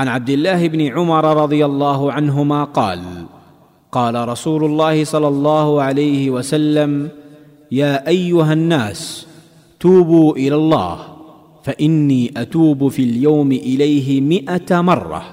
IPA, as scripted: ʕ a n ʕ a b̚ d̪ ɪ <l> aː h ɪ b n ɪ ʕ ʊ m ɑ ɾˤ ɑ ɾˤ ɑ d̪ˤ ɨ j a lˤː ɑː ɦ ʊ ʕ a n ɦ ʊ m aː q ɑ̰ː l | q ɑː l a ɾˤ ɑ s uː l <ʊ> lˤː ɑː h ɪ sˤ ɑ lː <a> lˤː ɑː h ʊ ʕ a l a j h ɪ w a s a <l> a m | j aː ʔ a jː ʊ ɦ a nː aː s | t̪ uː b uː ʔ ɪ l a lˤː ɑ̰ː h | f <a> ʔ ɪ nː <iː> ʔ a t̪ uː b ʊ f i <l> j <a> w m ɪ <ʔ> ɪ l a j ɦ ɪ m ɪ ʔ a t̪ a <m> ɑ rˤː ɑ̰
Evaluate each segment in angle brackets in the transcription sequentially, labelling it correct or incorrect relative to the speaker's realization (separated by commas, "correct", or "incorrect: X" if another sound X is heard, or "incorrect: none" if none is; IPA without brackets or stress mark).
incorrect: lː, correct, incorrect: ɑ, incorrect: lː, correct, correct, correct, correct, correct, correct